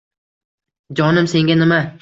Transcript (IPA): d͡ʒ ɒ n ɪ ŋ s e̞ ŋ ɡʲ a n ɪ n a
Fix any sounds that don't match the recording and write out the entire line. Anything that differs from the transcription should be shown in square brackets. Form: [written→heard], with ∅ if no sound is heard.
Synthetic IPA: d͡ʒ ɒ n ɪ [ŋ→m] s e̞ ŋ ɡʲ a n ɪ [n→m] a